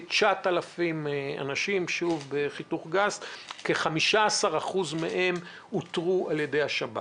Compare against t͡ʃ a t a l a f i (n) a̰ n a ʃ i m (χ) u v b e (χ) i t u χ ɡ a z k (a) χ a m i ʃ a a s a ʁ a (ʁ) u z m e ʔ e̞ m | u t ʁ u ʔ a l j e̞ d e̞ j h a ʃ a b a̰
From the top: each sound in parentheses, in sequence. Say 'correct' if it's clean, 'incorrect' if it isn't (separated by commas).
incorrect, incorrect, correct, incorrect, incorrect